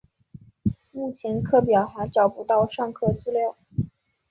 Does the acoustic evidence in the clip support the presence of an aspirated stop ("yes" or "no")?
yes